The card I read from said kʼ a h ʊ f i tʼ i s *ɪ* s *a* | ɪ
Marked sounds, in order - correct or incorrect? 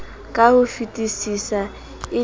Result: incorrect, correct

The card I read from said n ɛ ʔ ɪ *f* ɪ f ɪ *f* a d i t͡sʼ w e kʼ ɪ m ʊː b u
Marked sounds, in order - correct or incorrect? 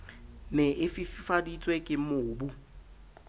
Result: correct, correct

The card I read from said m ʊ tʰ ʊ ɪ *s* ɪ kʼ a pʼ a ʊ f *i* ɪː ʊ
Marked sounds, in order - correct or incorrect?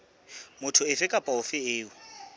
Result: incorrect, incorrect

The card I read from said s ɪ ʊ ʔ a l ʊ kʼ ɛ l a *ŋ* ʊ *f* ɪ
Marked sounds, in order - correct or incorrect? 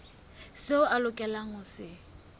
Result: correct, incorrect

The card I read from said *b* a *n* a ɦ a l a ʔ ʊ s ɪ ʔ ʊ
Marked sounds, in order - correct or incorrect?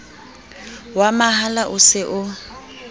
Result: incorrect, incorrect

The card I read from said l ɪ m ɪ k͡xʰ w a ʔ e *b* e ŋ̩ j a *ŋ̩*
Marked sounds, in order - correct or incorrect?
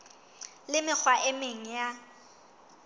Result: incorrect, incorrect

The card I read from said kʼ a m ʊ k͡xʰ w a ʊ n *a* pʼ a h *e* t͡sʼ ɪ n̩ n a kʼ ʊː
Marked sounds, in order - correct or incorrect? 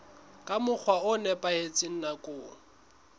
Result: incorrect, correct

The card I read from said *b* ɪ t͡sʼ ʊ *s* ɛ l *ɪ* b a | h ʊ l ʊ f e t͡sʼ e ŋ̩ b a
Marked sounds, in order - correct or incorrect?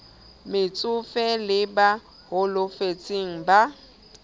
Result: incorrect, incorrect, correct

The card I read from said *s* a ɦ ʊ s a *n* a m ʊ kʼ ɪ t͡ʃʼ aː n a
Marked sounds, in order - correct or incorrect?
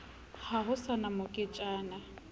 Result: incorrect, correct

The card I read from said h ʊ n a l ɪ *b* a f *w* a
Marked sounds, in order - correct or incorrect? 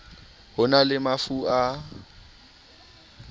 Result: incorrect, incorrect

